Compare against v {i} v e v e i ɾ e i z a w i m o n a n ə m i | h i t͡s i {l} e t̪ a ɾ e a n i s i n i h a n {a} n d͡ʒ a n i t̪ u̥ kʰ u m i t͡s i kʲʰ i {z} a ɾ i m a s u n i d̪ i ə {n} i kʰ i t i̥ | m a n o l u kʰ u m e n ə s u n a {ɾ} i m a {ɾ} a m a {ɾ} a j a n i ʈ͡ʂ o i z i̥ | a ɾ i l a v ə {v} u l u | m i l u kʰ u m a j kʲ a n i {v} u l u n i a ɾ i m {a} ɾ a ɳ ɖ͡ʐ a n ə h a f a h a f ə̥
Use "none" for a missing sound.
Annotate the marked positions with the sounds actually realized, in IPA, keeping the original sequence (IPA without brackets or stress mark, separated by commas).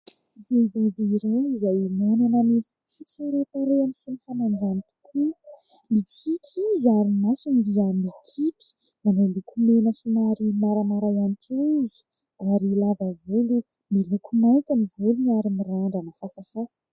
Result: e, ɾ, a, z, m, ɾ, ɾ, ɾ, v, v, i